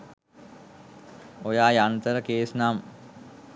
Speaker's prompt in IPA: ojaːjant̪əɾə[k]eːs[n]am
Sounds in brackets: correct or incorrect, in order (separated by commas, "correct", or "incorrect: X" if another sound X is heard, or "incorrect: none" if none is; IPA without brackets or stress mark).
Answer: correct, correct